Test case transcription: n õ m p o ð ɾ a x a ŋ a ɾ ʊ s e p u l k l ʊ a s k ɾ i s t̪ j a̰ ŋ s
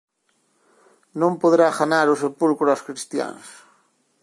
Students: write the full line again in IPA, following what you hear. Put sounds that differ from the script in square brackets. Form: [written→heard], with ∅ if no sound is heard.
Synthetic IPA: n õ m p o ð ɾ a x a [ŋ→n] a ɾ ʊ s e p u l k [l→ɾ] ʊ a s k ɾ i s t̪ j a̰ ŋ s